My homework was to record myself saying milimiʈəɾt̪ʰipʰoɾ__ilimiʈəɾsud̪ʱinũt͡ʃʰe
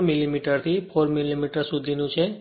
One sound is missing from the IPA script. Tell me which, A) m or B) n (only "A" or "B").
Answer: A